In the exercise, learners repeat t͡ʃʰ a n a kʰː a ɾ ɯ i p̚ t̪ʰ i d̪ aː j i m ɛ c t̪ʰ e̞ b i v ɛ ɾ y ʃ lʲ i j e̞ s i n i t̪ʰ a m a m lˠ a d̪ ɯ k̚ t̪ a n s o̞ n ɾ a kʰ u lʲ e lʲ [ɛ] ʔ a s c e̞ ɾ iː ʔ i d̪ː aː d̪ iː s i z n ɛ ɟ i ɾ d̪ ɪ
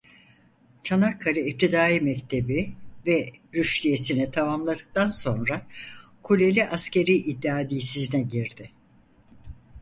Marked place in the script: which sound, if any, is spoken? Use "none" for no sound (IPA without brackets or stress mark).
i